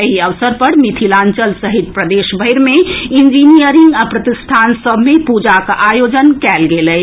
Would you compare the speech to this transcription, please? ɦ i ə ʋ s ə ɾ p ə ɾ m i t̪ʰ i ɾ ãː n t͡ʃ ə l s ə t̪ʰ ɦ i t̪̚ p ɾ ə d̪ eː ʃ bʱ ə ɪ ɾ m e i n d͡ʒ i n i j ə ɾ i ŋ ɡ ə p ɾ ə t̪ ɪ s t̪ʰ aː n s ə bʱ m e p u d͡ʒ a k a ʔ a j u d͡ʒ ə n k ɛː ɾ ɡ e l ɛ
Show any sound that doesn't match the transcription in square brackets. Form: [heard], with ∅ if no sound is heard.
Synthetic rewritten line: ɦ i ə ʋ s ə ɾ p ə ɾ m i t̪ʰ i [l] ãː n t͡ʃ ə l s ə [∅] ɦ i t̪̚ p ɾ ə d̪ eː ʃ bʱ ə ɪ ɾ m e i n d͡ʒ i n i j ə ɾ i ŋ ɡ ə p ɾ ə t̪ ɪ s t̪ʰ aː n s ə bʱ m e p u d͡ʒ a k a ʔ a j [o] d͡ʒ ə n k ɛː [l] ɡ e l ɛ

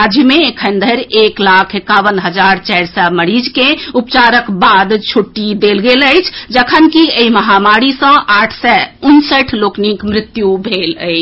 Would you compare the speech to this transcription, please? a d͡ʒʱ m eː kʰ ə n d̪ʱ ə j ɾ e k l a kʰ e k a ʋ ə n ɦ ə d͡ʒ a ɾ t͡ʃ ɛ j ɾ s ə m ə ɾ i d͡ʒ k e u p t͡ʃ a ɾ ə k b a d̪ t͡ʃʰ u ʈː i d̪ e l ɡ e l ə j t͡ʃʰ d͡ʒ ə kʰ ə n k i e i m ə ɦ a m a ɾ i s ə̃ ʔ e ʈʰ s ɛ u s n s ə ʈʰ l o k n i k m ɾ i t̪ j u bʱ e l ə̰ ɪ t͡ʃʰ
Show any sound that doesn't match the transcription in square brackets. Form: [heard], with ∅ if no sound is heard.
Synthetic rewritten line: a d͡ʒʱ m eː kʰ ə n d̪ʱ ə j ɾ e k l a kʰ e k a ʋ ə n ɦ ə d͡ʒ a ɾ t͡ʃ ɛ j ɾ s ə m ə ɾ i d͡ʒ k e u p t͡ʃ a ɾ ə k b a d̪ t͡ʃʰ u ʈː i d̪ e l ɡ e l ə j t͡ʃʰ d͡ʒ ə kʰ ə n k i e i m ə ɦ a m a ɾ i s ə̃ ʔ [a] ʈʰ s ɛ u [∅] n s ə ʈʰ l o k n i k m ɾ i t̪ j u bʱ e l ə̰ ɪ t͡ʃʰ

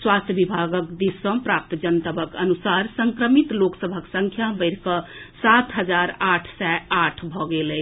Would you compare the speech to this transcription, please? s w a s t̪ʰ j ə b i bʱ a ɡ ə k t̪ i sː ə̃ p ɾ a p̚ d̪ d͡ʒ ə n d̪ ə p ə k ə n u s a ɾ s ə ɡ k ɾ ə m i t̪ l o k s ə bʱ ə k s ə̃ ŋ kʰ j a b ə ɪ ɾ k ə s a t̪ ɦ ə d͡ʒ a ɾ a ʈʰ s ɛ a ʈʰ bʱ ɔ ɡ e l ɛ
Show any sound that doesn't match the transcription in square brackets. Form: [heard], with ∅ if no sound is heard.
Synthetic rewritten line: s w a s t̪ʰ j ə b i bʱ a ɡ ə k [d̪] i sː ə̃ p ɾ a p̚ [t̪] d͡ʒ ə n [t̪] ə [b] ə k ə n u s a ɾ s ə [ŋ] k ɾ ə m i t̪ l o k s ə bʱ ə k s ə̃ ŋ kʰ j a b ə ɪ ɾ k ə s a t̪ ɦ ə d͡ʒ a ɾ a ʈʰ s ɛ a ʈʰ bʱ ɔ ɡ e l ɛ

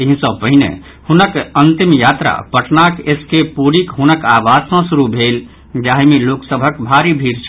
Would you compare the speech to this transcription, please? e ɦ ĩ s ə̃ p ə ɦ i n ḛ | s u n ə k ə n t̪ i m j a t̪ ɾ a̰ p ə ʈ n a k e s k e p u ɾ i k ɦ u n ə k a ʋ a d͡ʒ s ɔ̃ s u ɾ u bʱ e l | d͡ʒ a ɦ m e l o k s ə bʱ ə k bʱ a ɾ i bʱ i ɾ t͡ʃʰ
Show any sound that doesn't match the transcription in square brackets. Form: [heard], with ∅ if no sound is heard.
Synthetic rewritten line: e ɦ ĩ s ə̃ p ə ɦ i n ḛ | [h] u n ə k ə n t̪ i m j a t̪ ɾ a̰ p ə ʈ n a k e s k e p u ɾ i k ɦ u n ə k a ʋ a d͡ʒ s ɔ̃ s u ɾ u bʱ e l | d͡ʒ a ɦ m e l o k s ə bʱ ə k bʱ a ɾ i bʱ i ɾ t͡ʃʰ

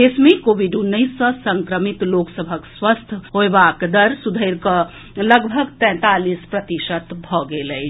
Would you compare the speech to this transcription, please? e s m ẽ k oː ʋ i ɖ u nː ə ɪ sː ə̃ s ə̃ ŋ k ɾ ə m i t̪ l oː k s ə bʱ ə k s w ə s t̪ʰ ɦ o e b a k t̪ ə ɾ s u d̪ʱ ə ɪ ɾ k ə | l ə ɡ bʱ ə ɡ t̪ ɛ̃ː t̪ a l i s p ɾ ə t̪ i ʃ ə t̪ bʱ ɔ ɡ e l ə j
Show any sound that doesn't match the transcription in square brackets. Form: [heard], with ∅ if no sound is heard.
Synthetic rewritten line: e s m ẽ k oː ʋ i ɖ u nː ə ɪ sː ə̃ s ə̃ ŋ k ɾ ə m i t̪ l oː k s ə bʱ ə k s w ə s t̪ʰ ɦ o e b a k [d̪] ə ɾ s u d̪ʱ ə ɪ ɾ k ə | l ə ɡ bʱ ə ɡ t̪ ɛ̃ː t̪ a l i s p ɾ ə t̪ i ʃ ə t̪ bʱ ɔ ɡ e l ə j

